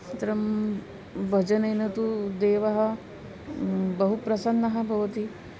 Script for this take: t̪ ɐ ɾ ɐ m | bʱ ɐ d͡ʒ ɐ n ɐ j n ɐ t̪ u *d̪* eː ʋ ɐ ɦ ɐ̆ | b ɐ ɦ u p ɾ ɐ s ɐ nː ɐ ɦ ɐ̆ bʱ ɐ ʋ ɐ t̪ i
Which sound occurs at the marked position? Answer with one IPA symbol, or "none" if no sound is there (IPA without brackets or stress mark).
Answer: d̪